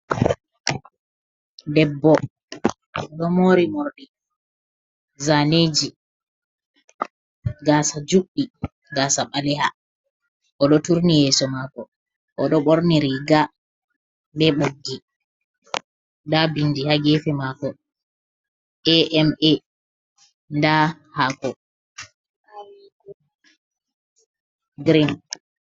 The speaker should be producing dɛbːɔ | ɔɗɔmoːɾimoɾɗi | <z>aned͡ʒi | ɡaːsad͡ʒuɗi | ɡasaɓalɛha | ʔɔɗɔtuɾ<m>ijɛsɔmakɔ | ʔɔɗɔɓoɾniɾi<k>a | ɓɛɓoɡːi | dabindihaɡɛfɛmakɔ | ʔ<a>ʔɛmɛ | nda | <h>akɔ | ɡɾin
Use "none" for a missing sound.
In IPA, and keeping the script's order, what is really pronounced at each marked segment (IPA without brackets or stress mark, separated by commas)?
z, n, ɡ, ɛ, h